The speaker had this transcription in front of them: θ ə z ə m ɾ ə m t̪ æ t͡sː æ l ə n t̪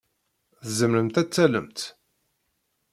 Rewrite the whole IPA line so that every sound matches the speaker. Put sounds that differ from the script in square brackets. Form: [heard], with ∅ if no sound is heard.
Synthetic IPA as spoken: θ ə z ə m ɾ ə m t̪ æ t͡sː æ l ə [m] t̪